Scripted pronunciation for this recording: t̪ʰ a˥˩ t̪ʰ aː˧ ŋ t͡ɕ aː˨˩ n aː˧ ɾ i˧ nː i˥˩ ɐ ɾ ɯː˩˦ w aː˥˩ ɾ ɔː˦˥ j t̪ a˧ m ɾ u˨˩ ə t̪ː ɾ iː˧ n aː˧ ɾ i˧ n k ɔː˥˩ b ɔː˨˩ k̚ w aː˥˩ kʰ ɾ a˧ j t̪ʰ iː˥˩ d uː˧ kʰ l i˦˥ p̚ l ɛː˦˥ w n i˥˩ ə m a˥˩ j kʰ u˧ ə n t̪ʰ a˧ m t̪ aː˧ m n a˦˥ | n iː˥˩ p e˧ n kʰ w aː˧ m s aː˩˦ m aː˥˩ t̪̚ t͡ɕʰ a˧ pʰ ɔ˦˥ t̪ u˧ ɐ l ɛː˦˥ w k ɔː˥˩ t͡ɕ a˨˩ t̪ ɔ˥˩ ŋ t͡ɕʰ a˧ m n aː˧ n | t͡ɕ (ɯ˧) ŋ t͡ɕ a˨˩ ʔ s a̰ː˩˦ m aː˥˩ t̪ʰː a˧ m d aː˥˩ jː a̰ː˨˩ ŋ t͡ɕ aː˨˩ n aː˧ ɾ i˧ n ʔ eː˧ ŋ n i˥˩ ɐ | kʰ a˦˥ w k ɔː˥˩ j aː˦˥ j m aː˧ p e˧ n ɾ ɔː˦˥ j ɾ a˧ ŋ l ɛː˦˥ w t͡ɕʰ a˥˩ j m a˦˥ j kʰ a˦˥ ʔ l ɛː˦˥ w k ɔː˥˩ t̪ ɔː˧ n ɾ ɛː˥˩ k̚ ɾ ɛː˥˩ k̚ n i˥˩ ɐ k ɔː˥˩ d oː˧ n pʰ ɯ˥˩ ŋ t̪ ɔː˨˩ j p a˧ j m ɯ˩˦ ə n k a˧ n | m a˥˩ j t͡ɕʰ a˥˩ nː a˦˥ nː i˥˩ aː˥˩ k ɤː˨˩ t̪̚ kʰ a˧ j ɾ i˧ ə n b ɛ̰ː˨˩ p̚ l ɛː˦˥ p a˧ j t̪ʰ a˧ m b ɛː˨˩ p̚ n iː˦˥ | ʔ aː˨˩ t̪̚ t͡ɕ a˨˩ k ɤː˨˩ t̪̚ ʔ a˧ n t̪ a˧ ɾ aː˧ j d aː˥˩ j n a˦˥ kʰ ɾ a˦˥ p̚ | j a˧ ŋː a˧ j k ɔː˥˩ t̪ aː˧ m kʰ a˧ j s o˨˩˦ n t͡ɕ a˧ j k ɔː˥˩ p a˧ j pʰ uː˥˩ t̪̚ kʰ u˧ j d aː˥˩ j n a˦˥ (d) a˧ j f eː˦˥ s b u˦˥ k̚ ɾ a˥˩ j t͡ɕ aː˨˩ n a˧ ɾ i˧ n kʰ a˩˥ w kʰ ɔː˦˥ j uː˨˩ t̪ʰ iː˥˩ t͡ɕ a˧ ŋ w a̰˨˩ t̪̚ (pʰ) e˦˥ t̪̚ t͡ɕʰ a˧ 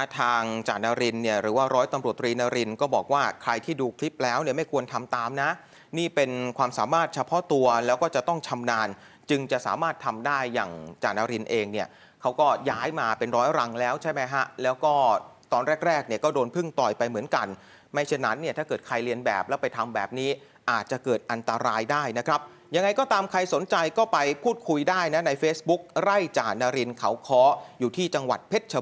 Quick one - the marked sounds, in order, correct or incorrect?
correct, incorrect, correct

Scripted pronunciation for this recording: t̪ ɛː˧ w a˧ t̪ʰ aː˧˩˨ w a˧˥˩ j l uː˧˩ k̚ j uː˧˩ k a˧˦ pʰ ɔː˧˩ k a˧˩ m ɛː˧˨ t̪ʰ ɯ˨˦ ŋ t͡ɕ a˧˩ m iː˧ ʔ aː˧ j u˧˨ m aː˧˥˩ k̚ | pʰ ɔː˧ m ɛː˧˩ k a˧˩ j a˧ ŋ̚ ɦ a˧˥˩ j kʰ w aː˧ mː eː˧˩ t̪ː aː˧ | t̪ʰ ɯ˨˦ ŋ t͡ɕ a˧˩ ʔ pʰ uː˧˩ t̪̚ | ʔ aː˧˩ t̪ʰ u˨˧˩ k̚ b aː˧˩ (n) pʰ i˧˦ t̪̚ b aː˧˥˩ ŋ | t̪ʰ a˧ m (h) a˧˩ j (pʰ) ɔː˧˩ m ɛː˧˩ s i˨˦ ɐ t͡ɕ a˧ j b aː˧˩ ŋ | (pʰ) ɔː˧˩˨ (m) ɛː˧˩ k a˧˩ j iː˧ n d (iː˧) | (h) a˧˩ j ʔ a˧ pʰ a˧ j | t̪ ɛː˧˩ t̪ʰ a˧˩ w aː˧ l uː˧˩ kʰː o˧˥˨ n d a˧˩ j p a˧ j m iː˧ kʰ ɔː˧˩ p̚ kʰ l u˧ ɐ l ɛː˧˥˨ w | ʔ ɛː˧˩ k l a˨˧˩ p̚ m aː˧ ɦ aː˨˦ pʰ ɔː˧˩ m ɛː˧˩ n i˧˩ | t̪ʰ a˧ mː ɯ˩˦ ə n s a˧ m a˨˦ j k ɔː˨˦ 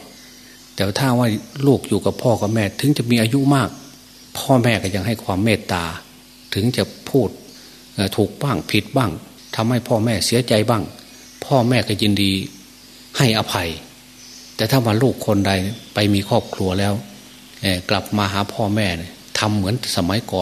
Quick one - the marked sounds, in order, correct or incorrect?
incorrect, correct, correct, correct, correct, correct, correct

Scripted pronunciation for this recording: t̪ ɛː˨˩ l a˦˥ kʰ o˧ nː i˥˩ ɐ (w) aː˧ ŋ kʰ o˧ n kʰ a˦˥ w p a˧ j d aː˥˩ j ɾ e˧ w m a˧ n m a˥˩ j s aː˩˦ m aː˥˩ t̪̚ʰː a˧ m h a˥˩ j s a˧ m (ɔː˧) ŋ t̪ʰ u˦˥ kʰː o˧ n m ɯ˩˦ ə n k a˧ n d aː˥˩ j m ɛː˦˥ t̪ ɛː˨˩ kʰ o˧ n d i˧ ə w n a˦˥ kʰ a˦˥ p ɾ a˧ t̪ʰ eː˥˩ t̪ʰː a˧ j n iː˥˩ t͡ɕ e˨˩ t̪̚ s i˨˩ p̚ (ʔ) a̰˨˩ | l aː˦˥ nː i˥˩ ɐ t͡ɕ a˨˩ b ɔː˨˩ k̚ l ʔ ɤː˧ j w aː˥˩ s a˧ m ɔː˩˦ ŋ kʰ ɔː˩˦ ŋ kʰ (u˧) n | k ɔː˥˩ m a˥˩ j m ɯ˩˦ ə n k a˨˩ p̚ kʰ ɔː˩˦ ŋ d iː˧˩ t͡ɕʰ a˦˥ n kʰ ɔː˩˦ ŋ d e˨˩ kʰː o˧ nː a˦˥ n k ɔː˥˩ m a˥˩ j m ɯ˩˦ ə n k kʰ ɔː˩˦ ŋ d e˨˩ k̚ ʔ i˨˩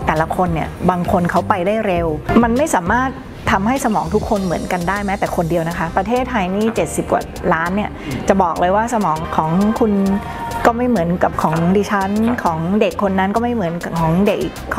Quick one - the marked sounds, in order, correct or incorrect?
incorrect, incorrect, incorrect, correct

